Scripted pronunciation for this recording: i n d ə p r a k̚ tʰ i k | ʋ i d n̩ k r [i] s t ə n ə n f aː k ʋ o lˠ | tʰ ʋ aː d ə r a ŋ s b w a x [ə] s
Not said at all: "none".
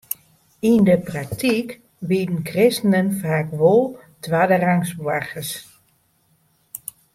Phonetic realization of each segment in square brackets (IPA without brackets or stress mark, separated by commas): ɪ, ə